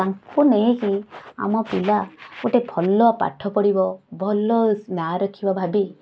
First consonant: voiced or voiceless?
voiced